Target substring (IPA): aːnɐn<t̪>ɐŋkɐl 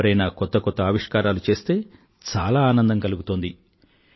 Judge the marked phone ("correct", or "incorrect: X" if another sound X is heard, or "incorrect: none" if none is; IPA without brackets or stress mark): incorrect: d̪